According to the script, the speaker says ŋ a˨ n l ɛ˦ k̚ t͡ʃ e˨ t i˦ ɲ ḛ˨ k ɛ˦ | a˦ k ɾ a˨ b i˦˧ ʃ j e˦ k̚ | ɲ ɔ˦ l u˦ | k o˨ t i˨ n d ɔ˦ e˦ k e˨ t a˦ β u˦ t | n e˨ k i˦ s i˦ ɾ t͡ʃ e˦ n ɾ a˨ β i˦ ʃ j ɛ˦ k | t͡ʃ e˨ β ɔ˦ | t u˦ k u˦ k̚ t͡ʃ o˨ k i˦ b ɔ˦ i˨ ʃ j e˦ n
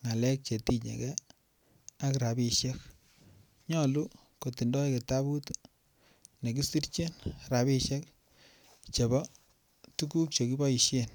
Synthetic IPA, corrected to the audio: ŋ a˨ l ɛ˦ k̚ t͡ʃ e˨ t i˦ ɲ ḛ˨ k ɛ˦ | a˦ k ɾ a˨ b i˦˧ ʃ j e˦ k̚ | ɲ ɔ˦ l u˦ | k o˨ t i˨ n d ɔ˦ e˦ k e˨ t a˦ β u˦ t | n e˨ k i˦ s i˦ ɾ t͡ʃ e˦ n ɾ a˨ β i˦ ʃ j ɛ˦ k | t͡ʃ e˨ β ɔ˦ | t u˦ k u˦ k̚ t͡ʃ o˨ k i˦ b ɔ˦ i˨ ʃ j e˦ n